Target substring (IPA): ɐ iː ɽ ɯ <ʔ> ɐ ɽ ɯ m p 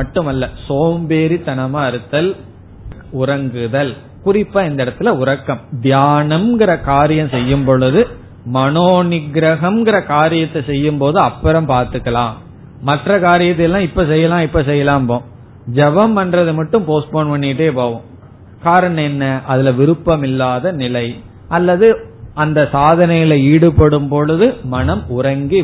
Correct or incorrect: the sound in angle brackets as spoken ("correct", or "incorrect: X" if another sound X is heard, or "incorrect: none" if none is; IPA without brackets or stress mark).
incorrect: p